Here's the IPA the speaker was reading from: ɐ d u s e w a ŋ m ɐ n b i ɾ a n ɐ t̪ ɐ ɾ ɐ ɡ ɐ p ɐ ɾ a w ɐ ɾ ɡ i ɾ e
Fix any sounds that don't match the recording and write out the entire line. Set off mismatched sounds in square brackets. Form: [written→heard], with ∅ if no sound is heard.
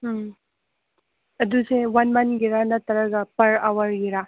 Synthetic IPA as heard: ɐ d u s e w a [ŋ→n] m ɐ n [b→ɡ] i ɾ a n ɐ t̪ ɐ ɾ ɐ ɡ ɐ p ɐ ɾ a w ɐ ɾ ɡ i ɾ [e→a]

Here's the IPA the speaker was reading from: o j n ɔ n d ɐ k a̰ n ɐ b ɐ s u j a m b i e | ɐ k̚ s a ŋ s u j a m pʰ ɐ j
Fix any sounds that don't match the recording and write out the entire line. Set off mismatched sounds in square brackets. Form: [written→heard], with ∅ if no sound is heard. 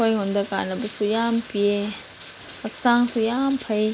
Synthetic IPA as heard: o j [n→ŋ] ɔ n d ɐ k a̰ n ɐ b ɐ s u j a m [b→p] i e | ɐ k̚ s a ŋ s u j a m pʰ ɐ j

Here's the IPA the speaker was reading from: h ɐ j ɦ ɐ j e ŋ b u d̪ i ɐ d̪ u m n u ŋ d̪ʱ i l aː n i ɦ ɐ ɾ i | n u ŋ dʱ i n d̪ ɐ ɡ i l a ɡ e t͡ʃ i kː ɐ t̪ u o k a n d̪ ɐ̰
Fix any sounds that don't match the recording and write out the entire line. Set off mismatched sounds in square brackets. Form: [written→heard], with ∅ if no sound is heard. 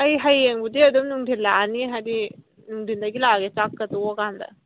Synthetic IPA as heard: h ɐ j ɦ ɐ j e ŋ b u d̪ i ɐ d̪ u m n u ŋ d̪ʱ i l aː n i ɦ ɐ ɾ i | n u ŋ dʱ i n d̪ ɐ ɡ i l a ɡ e t͡ʃ [i→a] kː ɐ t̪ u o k a n d̪ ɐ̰

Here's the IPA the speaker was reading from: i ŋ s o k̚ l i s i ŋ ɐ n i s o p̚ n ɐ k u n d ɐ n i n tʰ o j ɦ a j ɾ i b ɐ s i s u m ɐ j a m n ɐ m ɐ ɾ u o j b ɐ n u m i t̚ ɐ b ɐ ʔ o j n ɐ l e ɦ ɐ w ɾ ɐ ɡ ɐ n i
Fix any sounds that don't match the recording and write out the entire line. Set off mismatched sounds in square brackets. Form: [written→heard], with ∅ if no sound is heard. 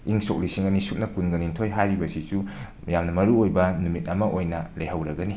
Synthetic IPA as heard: i ŋ s o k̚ l i s i ŋ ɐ n i s [o→u] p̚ n ɐ k u n [d→ɡ] ɐ n i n tʰ o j ɦ a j ɾ i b ɐ s i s u m ɐ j a m n ɐ m ɐ ɾ u o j b ɐ n u m i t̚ ɐ [b→m] ɐ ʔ o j n ɐ l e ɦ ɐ w ɾ ɐ ɡ ɐ n i

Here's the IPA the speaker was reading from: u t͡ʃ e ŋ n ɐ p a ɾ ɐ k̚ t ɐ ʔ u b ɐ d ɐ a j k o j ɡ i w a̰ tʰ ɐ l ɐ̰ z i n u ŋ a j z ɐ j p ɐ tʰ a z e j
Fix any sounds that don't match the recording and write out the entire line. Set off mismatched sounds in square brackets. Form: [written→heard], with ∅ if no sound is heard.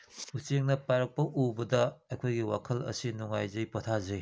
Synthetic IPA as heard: u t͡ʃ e ŋ n ɐ p a ɾ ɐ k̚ [t→p] ɐ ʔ u b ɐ d ɐ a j [k→kʰ] o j ɡ i w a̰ [tʰ→kʰ] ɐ l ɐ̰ [z→s] i n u ŋ a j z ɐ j p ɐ tʰ a z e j

